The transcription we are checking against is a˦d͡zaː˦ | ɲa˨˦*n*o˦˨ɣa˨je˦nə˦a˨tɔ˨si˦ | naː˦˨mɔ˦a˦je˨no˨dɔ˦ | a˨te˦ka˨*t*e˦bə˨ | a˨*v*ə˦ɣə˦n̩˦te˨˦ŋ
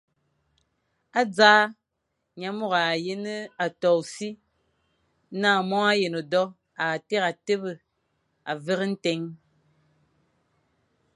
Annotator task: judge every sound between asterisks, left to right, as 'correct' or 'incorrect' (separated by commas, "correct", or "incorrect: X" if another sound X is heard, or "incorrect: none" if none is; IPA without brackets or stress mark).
incorrect: m, correct, correct